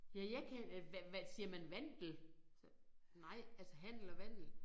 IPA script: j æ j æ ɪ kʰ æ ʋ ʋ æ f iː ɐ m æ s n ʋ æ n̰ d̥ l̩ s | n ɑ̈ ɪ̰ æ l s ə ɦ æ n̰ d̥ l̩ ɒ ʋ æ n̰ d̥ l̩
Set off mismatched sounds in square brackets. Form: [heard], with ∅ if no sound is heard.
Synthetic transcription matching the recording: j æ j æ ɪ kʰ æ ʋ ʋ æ [s] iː ɐ m æ [∅] n ʋ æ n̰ d̥ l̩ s | n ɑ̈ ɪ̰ æ l s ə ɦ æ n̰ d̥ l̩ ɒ ʋ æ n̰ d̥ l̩